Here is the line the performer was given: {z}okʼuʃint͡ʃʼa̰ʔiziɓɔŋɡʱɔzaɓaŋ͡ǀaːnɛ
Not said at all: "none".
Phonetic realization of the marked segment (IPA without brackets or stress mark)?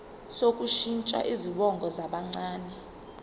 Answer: s